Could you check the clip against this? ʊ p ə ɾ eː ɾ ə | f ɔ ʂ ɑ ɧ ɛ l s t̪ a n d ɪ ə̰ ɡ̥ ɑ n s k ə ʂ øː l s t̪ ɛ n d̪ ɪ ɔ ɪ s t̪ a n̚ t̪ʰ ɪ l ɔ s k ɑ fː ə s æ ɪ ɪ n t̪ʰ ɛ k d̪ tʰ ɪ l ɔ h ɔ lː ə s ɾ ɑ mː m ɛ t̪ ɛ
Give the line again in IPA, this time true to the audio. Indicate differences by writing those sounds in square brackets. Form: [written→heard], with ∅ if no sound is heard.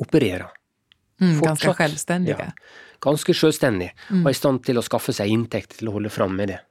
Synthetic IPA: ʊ p ə ɾ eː ɾ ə | f ɔ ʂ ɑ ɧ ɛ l s t̪ [a→ɛ] n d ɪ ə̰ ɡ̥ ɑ n s k ə ʂ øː l s t̪ ɛ n d̪ ɪ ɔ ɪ s t̪ [a→ɑ] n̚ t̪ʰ ɪ l ɔ s k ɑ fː ə s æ ɪ ɪ n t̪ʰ ɛ k [d̪→t̪] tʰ ɪ l ɔ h ɔ lː ə [s→f] ɾ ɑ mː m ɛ [t̪→d̪] ɛ